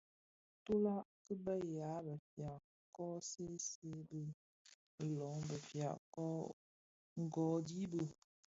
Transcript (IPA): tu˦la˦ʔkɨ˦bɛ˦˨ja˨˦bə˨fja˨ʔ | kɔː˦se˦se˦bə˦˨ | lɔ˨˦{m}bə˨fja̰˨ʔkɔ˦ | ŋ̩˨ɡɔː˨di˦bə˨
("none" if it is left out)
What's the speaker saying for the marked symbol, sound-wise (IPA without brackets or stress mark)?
ŋ